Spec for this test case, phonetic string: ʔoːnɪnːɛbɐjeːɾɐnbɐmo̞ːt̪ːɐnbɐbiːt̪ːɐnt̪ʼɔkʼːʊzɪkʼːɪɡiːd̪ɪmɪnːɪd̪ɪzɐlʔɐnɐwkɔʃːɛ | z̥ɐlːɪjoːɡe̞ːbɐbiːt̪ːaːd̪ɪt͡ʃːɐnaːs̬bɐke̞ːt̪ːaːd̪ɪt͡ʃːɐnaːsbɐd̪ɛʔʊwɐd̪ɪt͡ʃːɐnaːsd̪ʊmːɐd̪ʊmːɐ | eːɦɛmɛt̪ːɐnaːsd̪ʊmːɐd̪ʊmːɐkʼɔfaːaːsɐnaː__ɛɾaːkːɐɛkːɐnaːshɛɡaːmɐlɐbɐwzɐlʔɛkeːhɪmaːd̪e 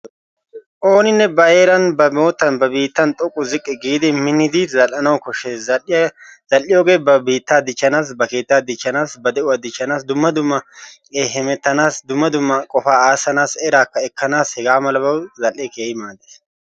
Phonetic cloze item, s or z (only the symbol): s